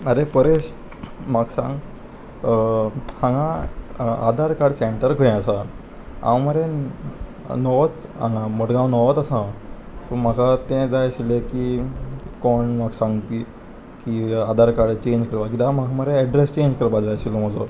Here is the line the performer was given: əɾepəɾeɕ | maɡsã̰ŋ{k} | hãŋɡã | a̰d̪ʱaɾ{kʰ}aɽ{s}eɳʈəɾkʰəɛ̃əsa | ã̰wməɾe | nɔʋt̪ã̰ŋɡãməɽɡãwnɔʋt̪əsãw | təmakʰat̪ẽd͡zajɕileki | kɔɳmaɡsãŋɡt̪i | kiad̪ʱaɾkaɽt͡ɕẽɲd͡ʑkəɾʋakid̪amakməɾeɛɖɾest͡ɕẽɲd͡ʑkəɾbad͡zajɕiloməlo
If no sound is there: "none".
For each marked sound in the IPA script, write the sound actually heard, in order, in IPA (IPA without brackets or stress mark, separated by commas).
ɡ, k, s